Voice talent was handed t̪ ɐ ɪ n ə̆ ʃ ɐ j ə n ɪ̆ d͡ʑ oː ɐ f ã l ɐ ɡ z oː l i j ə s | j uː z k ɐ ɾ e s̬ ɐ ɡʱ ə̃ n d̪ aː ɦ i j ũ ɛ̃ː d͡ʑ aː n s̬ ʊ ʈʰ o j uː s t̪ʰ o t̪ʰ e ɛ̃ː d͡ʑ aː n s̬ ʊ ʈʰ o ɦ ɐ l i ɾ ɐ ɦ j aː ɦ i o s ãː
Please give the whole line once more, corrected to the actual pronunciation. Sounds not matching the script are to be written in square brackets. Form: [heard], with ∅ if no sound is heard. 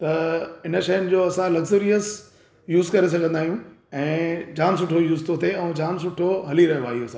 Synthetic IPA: t̪ ɐ ɪ n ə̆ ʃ ɐ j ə n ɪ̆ d͡ʑ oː ɐ [s] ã l ɐ ɡ z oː [ɾ] i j ə s | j uː z k ɐ ɾ e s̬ ɐ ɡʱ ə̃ n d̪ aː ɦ i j ũ ɛ̃ː d͡ʑ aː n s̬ ʊ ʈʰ o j uː [z] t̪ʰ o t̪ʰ e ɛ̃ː d͡ʑ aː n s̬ ʊ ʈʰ o ɦ ɐ l i ɾ ɐ ɦ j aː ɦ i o s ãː